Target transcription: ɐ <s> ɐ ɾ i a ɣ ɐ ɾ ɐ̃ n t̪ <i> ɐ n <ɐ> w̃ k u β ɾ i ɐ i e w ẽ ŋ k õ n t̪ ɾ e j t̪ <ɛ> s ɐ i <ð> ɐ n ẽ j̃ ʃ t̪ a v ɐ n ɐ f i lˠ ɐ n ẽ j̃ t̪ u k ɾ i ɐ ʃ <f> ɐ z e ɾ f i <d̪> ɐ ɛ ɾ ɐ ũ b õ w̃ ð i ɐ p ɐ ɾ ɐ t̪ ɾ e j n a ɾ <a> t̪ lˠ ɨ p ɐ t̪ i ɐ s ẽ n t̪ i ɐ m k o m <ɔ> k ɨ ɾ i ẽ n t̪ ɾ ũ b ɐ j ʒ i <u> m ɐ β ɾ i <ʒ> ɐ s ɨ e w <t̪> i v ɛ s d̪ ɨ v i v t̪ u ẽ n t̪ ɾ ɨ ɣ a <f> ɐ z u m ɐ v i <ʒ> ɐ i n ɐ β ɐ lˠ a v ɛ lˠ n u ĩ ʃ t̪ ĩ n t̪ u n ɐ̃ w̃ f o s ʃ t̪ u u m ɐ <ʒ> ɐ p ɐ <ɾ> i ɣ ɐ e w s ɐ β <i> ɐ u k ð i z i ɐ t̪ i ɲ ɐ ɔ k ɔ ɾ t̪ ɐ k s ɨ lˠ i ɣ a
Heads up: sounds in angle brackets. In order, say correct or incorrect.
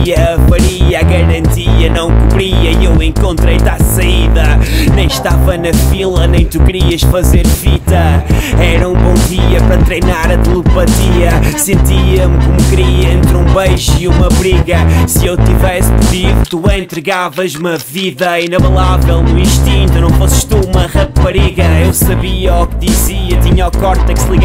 incorrect: f, correct, incorrect: ɐ̃, incorrect: a, correct, correct, incorrect: t̪, incorrect: ɐ, incorrect: u, correct, incorrect: ɣ, correct, incorrect: v, incorrect: ð, incorrect: ʁ, correct, correct

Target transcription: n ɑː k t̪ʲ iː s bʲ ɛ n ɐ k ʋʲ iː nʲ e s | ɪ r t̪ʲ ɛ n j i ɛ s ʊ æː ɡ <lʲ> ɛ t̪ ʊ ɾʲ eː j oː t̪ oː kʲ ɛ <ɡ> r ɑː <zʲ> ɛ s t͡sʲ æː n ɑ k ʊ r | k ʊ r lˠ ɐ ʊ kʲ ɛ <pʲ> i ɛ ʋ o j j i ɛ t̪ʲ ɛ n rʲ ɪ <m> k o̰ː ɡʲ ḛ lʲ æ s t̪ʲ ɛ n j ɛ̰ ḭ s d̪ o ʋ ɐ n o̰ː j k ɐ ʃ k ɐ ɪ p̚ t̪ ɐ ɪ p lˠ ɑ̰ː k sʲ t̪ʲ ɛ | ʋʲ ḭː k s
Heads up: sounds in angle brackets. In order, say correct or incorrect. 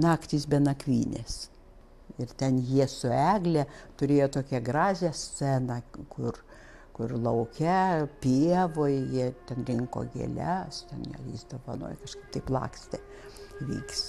correct, correct, correct, correct, incorrect: ŋ

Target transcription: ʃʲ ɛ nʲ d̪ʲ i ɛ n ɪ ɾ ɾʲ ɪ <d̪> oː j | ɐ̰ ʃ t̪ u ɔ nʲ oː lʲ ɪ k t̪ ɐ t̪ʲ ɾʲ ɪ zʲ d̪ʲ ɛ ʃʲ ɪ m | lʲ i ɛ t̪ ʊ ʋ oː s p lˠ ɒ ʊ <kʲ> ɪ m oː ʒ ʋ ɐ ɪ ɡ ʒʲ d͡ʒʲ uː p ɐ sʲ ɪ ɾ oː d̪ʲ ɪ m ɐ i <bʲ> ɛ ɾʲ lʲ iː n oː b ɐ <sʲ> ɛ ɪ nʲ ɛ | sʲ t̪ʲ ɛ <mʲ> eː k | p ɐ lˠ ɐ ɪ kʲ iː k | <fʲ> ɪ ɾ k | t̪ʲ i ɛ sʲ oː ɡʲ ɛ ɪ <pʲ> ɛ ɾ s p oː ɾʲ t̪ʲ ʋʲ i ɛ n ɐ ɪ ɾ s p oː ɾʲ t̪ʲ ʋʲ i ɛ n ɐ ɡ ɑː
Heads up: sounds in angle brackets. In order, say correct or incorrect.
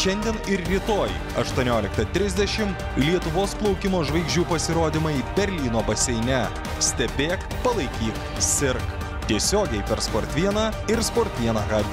incorrect: t̪, correct, correct, correct, incorrect: bʲ, incorrect: sʲ, correct

